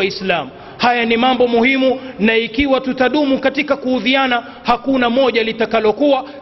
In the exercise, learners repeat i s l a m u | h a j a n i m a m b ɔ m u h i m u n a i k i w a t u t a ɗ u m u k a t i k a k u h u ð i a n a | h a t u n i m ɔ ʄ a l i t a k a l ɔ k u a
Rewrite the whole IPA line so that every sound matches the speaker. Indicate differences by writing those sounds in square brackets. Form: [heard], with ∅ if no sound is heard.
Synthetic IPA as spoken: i s l a m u | h a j a n i m a m b ɔ m u h i m u n a i k i w a t u t a ɗ u m u k a t i k a k u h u ð i a n a | h a [k] u n [a] m ɔ ʄ a l i t a k a l ɔ k u a